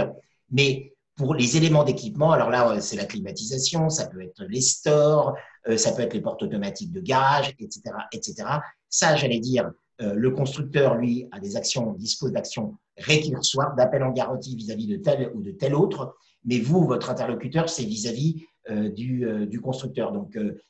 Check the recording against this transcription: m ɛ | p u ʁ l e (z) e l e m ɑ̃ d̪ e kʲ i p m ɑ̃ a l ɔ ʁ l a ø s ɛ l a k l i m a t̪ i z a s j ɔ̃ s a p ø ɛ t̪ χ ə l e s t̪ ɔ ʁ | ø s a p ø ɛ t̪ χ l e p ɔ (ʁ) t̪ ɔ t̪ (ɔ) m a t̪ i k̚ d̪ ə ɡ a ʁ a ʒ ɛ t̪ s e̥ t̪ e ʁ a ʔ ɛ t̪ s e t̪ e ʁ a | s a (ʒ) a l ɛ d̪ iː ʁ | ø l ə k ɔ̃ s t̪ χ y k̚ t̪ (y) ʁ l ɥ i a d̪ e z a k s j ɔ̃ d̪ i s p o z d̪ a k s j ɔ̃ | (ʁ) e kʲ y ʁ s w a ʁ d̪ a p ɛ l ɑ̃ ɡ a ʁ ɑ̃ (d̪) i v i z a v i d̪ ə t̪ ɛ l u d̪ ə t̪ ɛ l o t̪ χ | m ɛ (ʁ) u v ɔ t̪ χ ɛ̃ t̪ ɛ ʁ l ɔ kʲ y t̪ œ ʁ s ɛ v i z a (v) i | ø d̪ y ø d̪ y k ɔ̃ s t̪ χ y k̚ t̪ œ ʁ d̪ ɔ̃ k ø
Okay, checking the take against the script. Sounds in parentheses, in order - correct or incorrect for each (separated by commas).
correct, correct, correct, correct, incorrect, correct, incorrect, incorrect, correct